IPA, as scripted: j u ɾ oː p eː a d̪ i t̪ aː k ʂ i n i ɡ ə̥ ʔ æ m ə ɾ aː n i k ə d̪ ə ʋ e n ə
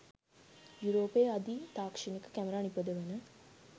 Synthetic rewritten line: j u ɾ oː p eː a d̪ i t̪ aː k ʂ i n i k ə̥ k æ m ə ɾ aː n i p ə d̪ ə ʋ e n ə

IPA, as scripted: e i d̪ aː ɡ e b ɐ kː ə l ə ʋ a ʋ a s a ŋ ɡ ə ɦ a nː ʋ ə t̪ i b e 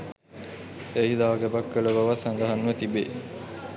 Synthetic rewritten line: e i d̪ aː ɡ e b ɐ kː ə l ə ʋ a ʋ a s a ŋ ɡ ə ɦ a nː ʋ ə t̪ i b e

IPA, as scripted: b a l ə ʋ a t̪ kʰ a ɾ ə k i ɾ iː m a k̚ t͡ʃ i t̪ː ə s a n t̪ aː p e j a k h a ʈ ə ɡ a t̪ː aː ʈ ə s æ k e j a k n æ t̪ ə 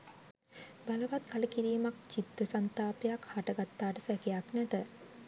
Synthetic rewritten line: b a l ə ʋ a t̪ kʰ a l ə k i ɾ iː m a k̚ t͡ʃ i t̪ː ə s a n t̪ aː p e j a k h a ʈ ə ɡ a t̪ː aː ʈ ə s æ k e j a k n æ t̪ ə

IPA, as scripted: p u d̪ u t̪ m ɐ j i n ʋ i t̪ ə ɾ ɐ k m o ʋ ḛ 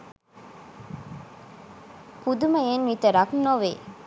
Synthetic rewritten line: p u d̪ u m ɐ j e n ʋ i t̪ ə ɾ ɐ k n o ʋ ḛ

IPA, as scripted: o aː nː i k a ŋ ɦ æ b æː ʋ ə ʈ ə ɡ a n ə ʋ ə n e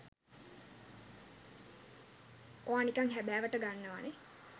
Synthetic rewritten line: o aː n i k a ŋ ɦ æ b æː ʋ ə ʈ ə ɡ a nː ə ʋ a n e

